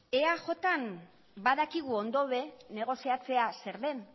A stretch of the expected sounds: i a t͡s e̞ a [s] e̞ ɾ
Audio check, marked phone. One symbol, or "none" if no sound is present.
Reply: s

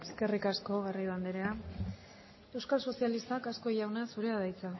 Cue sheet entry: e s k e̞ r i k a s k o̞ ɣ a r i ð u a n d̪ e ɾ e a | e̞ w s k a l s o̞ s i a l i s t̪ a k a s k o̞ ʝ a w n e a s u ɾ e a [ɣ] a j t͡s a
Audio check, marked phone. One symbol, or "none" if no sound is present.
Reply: ð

